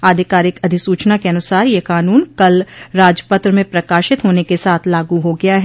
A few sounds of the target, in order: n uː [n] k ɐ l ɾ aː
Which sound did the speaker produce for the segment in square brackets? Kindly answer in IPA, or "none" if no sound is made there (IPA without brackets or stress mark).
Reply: n